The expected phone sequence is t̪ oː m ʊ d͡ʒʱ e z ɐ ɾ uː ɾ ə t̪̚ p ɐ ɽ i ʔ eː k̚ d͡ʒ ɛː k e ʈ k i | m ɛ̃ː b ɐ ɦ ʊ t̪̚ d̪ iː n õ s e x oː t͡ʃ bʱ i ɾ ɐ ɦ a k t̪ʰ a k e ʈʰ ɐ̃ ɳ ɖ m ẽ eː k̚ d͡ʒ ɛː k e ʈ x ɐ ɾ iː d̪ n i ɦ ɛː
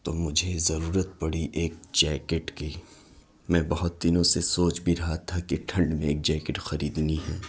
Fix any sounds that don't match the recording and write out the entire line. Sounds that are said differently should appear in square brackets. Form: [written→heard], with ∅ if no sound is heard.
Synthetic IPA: t̪ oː m ʊ d͡ʒʱ e z ɐ ɾ uː ɾ ə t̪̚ p ɐ ɽ i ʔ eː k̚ d͡ʒ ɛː k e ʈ k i | m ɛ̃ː b ɐ ɦ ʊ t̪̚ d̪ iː n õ s e [x→s] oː t͡ʃ bʱ i ɾ ɐ ɦ a [k→∅] t̪ʰ a k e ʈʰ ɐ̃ ɳ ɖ m ẽ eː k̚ d͡ʒ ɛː k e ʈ x ɐ ɾ iː d̪ n i ɦ ɛː